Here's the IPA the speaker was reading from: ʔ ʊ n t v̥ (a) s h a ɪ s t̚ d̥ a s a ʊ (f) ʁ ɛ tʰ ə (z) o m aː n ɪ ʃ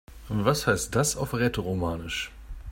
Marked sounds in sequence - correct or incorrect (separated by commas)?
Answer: correct, correct, incorrect